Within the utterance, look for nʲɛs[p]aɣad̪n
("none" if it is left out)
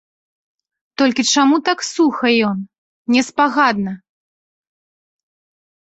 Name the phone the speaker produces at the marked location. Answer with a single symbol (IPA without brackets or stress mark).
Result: p